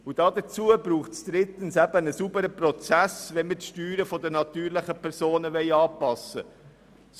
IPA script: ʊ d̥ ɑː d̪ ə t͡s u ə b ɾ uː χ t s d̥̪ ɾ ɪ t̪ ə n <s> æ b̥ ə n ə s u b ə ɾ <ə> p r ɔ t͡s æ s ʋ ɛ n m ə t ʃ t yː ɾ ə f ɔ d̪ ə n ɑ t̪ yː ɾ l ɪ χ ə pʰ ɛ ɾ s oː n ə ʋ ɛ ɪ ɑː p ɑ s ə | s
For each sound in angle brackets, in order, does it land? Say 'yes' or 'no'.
yes, yes

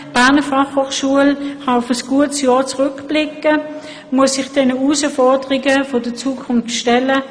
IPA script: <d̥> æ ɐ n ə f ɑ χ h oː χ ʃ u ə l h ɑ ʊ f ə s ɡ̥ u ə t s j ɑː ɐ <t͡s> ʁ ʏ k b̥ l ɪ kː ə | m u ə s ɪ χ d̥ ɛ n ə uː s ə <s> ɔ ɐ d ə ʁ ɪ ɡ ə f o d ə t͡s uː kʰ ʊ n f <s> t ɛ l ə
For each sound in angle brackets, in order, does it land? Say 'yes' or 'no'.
no, yes, no, no

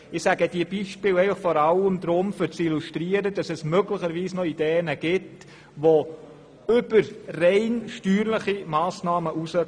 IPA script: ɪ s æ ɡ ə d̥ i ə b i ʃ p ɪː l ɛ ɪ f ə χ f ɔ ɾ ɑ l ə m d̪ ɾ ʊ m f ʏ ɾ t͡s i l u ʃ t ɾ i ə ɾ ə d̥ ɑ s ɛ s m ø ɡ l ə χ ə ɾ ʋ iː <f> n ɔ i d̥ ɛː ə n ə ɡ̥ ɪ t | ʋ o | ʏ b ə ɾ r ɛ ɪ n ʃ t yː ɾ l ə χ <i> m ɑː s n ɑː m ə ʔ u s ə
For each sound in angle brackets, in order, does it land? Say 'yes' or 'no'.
no, yes

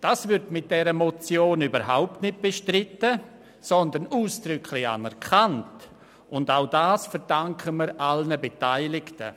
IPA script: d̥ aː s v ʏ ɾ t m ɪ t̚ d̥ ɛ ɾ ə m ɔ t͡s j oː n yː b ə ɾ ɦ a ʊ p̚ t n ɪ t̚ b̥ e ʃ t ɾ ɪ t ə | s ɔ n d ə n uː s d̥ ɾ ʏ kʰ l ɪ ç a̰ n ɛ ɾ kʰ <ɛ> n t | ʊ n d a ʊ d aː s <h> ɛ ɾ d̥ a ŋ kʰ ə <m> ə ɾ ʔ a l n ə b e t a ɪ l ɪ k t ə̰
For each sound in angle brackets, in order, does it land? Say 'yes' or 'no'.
no, no, yes

